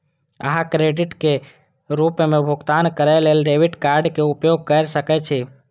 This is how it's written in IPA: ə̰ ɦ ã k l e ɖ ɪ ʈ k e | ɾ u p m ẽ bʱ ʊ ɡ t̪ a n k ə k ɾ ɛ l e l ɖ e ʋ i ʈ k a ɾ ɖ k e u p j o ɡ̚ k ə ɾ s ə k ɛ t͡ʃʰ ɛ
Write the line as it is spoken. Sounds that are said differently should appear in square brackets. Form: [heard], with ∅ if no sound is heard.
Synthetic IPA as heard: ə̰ ɦ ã k [ɾ] e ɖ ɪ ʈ k e | ɾ u p m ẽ bʱ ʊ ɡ t̪ a n k ə [∅] ɾ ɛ l e l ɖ e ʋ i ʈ k a ɾ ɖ k e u p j o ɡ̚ k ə ɾ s ə k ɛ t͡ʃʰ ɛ